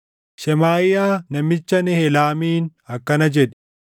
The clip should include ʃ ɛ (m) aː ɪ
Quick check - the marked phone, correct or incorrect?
correct